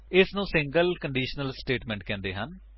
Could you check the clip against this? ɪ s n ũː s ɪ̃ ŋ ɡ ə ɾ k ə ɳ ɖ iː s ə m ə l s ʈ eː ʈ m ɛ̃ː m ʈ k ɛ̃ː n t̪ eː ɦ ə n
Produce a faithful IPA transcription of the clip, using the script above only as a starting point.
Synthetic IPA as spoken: ɪ s n ũː s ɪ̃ ŋ ɡ ə l k ə ɳ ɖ iː ʃ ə n ə l s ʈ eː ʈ m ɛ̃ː ɳ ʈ k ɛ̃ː n d̪ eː ɦ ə n

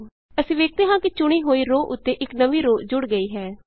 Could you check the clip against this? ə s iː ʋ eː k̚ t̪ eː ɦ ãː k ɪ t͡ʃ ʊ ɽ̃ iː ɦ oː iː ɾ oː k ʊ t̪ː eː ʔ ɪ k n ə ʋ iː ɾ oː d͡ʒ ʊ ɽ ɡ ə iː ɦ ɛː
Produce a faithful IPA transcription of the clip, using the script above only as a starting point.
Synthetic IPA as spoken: ə s ĩː ʋ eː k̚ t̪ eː ɦ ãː k ɪ t͡ʃ ʊ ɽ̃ iː ɦ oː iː ɾ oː ʔ ʊ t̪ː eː ʔ ɪ k n ə ʋ iː ɾ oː d͡ʒ ʊ ɽ ɡ ə iː ɦ ɛː

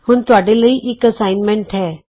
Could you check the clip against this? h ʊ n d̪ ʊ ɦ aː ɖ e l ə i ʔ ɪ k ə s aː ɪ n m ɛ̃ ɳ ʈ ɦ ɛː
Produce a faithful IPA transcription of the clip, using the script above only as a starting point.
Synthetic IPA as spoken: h ʊ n t̪ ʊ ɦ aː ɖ e l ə i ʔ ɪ k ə s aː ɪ n m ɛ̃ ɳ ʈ ɦ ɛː

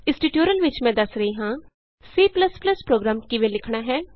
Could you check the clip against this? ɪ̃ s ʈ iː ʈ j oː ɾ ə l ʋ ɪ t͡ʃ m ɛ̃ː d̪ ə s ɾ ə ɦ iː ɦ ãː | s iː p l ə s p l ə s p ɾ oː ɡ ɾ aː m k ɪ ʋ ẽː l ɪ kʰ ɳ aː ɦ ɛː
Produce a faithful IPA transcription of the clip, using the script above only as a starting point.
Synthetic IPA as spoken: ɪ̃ s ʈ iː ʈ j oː ɾ ə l ʋ ɪ t͡ʃ m ɛ̃ː d̪ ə s ɾ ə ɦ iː ɦ ãː | s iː p l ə s p l ə s p ɾ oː ɡ ɾ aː m k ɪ ʋ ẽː l ɪ kʰ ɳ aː ɦ ɛː

